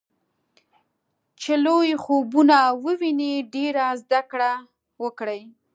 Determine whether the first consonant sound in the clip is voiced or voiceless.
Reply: voiceless